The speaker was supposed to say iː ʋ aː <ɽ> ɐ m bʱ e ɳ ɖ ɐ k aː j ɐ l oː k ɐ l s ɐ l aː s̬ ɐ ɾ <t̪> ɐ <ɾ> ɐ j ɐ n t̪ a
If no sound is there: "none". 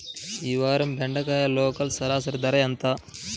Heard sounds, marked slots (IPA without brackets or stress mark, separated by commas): ɾ, d̪, ɾ